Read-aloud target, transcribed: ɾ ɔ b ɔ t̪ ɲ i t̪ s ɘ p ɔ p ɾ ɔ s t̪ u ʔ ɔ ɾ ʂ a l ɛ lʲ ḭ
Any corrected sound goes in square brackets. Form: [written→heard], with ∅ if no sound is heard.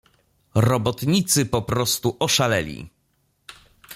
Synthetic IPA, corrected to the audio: ɾ ɔ b ɔ t̪ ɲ i t̪ s ɘ p ɔ p ɾ ɔ s t̪ u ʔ ɔ [ɾ→∅] ʂ a l ɛ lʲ ḭ